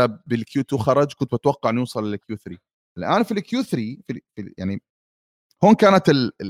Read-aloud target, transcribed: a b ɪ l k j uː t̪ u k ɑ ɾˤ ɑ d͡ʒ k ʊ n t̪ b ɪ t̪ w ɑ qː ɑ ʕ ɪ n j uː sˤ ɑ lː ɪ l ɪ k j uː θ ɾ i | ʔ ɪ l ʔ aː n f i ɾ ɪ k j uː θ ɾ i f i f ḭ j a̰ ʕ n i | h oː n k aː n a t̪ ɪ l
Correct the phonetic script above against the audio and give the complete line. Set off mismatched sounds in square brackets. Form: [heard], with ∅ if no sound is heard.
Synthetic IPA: a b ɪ l k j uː t̪ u [x] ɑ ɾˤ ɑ d͡ʒ k ʊ n t̪ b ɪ t̪ w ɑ qː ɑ ʕ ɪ n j uː sˤ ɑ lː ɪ l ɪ k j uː θ ɾ i | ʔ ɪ l ʔ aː n f i [l] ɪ k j uː θ ɾ i f i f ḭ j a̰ ʕ n i | h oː n k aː n a t̪ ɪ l